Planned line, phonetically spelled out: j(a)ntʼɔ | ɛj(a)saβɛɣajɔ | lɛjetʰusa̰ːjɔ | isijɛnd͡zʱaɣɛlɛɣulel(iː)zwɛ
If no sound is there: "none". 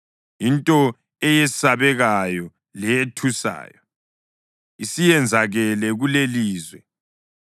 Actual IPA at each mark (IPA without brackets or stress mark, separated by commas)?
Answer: i, ɛ, iː